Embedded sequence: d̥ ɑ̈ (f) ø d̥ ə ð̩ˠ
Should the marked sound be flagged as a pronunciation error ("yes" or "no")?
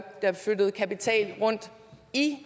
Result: no